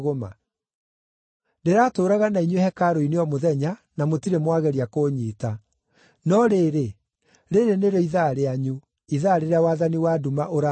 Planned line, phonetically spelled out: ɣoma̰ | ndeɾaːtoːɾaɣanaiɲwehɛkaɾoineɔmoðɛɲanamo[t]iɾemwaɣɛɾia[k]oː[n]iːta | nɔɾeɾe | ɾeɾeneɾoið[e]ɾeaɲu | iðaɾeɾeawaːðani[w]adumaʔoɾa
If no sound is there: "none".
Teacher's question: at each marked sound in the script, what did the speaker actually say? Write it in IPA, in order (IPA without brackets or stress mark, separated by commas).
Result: t, k, ɲ, a, w